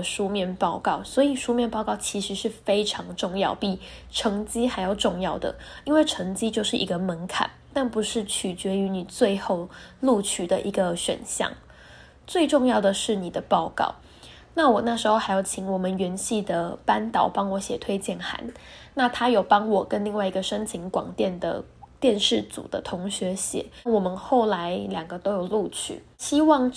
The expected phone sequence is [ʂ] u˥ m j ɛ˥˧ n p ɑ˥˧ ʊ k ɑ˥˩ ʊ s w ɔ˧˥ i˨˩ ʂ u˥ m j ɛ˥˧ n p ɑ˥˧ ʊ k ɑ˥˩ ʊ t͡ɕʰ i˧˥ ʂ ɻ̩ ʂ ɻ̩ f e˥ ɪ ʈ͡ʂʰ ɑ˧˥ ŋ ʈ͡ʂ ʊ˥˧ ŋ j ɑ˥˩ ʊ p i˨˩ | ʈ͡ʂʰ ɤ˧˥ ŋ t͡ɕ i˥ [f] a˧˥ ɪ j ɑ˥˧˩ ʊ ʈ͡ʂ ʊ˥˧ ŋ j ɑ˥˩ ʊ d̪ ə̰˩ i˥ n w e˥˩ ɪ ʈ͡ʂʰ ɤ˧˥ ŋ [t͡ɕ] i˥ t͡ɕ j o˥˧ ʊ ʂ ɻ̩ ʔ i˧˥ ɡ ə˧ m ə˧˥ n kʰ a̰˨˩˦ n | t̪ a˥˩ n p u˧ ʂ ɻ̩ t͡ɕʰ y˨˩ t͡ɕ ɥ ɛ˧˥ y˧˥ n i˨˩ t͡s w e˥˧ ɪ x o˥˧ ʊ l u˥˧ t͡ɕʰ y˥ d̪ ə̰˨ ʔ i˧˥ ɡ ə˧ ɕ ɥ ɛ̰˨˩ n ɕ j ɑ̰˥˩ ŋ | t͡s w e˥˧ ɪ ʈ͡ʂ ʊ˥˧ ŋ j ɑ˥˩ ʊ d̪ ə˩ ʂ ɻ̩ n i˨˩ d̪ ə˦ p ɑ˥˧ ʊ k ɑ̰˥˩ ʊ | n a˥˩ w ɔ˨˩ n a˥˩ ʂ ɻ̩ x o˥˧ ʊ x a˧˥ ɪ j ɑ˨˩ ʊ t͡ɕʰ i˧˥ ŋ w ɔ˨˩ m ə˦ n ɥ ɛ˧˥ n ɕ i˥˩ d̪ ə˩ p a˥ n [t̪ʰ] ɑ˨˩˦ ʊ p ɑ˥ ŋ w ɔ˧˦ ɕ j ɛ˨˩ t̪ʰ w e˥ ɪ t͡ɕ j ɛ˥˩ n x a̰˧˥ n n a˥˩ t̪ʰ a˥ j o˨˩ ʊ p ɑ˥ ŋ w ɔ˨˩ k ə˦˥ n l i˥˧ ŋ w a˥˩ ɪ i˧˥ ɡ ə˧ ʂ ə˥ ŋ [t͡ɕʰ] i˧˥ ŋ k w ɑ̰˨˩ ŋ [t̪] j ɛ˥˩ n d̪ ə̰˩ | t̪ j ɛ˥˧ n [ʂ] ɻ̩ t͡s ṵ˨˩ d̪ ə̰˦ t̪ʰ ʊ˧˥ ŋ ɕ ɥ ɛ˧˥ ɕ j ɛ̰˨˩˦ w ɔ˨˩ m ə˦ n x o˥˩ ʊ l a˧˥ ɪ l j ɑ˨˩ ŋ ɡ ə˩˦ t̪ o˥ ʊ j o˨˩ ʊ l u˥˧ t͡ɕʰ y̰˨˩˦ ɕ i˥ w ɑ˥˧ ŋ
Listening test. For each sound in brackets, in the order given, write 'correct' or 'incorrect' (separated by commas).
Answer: correct, incorrect, correct, incorrect, correct, correct, correct